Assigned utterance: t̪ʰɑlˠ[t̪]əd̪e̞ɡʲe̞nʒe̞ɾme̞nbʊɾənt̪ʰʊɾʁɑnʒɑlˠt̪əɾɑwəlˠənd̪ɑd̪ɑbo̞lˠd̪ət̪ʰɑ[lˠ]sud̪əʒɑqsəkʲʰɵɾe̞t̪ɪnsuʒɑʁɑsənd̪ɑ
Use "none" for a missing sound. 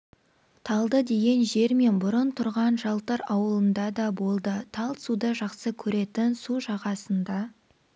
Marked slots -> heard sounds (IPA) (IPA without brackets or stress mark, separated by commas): d̪, lˠ